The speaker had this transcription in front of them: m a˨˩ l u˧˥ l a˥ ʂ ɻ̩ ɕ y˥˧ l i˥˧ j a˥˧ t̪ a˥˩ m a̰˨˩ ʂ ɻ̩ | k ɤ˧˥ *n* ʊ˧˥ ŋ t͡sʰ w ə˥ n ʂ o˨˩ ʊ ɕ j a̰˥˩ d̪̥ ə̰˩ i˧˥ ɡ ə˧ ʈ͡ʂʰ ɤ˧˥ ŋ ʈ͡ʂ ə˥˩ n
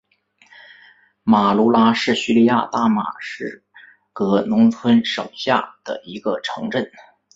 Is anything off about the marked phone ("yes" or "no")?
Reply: no